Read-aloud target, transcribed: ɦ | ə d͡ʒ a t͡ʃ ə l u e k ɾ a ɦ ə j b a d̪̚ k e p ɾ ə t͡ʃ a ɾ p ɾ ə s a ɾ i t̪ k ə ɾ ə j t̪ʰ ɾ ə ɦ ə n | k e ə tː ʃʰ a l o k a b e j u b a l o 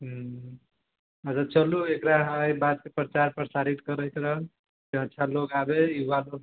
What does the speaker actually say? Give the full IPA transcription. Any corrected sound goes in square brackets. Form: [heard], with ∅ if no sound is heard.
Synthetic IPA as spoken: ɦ | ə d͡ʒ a t͡ʃ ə l u e k ɾ a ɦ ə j b a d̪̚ k e p ɾ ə t͡ʃ a ɾ p ɾ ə s a ɾ i t̪ k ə ɾ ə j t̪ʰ ɾ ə ɦ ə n | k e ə tː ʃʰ a l o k a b e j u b a l o